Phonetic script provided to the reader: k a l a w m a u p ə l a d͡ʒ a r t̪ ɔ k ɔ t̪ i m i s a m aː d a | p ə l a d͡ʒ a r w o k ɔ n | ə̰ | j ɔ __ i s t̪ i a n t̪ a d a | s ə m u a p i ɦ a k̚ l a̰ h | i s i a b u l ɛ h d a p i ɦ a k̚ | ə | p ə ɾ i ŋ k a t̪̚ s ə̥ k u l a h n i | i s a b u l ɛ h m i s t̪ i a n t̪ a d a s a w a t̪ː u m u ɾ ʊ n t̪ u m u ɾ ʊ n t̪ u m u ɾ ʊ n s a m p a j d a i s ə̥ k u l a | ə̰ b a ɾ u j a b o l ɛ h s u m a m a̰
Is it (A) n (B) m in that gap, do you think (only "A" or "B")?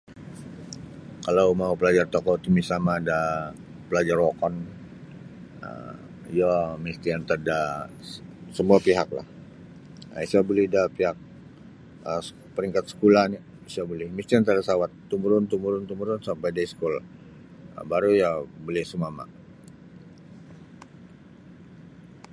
B